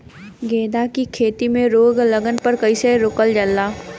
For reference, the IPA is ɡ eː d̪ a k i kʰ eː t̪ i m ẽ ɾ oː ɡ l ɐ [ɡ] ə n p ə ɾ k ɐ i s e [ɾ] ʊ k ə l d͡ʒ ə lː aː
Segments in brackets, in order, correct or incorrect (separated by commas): correct, correct